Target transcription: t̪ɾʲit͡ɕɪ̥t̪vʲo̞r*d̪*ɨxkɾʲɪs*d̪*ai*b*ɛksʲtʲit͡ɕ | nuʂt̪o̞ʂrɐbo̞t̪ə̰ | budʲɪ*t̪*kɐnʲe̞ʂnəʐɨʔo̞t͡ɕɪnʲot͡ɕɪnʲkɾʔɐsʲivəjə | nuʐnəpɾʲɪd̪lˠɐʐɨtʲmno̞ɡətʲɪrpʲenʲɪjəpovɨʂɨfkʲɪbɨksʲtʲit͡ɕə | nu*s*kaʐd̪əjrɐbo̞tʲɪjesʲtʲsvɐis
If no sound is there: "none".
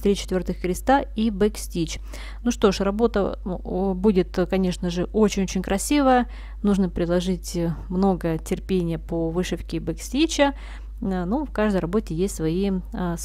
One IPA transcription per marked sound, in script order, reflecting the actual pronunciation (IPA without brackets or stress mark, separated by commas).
t̪, t̪, b, t̪, f